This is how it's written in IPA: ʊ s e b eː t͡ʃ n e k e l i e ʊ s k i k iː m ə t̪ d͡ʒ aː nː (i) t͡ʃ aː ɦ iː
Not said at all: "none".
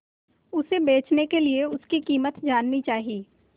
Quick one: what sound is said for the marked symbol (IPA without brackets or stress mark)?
i